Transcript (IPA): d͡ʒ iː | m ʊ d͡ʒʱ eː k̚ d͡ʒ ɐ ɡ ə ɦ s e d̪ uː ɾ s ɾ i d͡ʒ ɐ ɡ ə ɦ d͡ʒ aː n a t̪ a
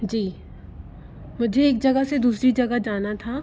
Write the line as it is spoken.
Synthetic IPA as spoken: d͡ʒ iː | m ʊ d͡ʒʱ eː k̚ d͡ʒ ɐ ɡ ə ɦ s e d̪ uː s ɾ i d͡ʒ ɐ ɡ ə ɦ d͡ʒ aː n a t̪ʰ a